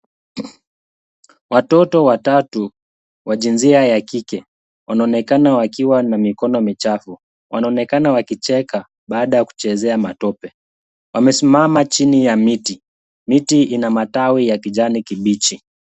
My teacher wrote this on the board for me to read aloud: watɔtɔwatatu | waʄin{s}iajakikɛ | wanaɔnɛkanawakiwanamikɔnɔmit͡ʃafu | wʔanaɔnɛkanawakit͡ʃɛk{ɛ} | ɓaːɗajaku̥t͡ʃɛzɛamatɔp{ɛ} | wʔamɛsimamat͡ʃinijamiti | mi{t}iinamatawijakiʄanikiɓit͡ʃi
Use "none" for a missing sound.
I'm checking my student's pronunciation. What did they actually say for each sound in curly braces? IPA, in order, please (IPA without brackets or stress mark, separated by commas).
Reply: z, a, ɛ, t